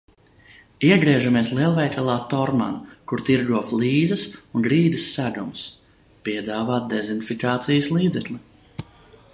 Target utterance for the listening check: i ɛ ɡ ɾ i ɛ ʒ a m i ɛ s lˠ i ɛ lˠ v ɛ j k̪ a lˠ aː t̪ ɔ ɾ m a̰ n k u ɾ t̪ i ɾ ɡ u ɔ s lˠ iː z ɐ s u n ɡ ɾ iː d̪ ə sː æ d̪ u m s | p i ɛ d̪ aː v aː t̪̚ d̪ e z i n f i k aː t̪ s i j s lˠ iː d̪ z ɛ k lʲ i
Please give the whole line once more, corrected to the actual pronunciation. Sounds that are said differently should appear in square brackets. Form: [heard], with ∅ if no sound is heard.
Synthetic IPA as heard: i ɛ ɡ ɾ i ɛ ʒ a m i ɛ s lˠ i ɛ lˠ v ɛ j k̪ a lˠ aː t̪ ɔ ɾ m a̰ n k u ɾ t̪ i ɾ ɡ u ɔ [f] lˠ iː z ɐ s u n ɡ ɾ iː d̪ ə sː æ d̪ u m s | p i ɛ d̪ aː v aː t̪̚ d̪ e z i n f i k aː t̪ s i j s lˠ iː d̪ z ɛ k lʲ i